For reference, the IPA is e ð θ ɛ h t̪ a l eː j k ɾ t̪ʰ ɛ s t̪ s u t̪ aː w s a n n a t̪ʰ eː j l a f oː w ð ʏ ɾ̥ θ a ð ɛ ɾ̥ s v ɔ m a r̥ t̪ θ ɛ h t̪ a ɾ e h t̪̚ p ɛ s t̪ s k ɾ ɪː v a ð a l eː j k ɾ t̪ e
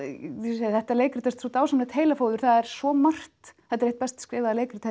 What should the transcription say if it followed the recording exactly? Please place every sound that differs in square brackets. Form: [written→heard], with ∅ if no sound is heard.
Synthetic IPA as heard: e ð θ ɛ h t̪ a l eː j k ɾ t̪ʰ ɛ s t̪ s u t̪ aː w s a [n→m] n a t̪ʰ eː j l a f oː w ð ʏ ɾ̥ θ a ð ɛ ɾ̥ s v ɔ m a r̥ t̪ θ ɛ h t̪ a ɾ e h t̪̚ p ɛ s t̪ s k ɾ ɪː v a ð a l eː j k ɾ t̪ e